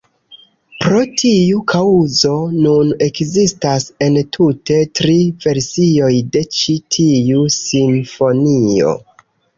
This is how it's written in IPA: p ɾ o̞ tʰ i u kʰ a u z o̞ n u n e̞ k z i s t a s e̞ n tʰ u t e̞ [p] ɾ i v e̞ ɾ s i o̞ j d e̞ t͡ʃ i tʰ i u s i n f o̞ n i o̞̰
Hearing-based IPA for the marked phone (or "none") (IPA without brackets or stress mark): t